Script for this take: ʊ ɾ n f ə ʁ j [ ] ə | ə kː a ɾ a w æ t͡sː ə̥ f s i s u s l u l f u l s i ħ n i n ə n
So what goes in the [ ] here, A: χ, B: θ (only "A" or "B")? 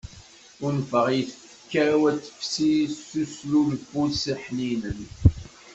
B